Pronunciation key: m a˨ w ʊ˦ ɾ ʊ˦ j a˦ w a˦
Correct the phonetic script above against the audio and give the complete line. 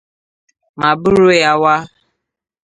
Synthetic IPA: m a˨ b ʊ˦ ɾ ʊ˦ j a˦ w a˦

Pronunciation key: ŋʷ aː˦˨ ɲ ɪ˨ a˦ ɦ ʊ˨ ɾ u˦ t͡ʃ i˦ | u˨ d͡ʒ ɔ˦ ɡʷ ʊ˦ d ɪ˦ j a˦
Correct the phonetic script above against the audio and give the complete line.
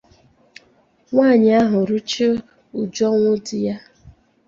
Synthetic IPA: ŋʷ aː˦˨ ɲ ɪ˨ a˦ ɦ ʊ˨ ɾ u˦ t͡ʃ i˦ | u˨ d͡ʒ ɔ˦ ŋʷ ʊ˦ d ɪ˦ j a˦

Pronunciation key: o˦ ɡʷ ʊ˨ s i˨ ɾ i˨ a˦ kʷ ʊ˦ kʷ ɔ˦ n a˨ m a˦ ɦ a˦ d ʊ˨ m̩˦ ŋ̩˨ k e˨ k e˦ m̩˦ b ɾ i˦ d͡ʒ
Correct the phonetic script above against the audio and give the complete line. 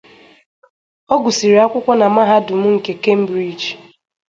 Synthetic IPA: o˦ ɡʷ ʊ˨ s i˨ ɾ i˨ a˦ kʷ ʊ˦ kʷ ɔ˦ n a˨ m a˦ ɦ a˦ d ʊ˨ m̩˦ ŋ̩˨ k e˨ k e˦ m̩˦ b ɾ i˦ d͡ʒ

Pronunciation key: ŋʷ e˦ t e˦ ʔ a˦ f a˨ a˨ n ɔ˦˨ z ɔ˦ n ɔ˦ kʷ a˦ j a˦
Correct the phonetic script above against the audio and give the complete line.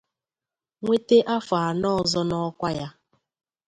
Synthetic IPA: ŋʷ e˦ t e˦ ʔ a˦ f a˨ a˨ n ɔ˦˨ z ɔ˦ n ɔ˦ kʷ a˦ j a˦

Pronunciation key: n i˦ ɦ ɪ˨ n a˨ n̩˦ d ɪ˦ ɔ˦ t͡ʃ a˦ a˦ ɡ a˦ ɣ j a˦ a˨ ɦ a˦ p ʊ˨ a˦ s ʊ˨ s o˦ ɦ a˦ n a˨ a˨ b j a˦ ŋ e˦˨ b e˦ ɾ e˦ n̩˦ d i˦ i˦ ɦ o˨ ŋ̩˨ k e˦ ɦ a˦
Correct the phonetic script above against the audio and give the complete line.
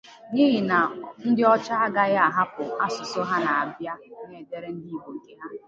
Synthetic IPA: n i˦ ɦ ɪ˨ n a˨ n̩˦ d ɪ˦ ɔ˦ t͡ʃ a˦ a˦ ɡ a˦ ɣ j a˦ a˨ ɦ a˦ p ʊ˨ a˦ s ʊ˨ s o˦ ɦ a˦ n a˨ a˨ b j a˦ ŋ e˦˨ d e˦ ɾ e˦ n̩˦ d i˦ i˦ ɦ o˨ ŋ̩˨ k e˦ ɦ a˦

